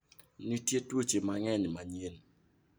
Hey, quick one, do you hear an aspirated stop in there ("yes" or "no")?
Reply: no